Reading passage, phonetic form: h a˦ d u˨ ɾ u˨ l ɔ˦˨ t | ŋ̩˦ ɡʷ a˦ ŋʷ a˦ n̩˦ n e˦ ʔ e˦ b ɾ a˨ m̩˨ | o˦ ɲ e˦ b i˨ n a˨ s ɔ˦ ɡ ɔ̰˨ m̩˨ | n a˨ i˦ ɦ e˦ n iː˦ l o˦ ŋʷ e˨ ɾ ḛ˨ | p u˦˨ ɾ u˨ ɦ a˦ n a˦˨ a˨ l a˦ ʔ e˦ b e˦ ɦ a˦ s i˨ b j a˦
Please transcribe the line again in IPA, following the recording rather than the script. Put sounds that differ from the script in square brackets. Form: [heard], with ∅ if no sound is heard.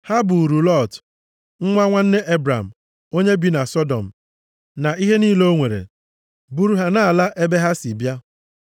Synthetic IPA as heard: h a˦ [b] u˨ ɾ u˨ l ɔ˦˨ t | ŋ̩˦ [ŋʷ] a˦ ŋʷ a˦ n̩˦ n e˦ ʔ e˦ b ɾ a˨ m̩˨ | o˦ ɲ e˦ b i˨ n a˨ s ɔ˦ [d] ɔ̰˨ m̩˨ | n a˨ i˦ ɦ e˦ n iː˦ l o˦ ŋʷ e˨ ɾ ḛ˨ | [b] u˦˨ ɾ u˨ ɦ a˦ n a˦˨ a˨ l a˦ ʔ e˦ b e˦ ɦ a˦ s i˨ b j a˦